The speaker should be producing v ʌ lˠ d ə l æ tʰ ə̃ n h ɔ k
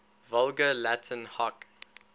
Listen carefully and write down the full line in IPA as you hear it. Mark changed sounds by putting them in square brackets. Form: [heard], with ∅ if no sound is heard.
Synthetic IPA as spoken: v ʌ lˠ [ɡ] ə l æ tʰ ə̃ n h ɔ k